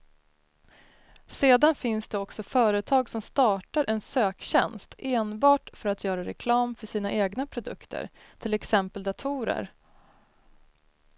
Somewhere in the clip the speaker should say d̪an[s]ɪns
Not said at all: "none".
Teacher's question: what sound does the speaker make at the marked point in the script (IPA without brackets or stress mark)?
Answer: f